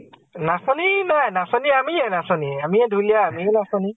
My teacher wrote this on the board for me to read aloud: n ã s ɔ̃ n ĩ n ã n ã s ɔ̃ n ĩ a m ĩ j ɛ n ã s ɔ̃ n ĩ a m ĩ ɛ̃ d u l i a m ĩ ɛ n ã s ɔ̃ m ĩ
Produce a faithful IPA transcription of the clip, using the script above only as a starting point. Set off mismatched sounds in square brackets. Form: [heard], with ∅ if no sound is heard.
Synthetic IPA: n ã s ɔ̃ n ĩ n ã n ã s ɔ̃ n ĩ a m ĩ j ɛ n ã s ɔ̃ n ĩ a m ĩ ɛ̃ d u l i a m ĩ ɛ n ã s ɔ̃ [n] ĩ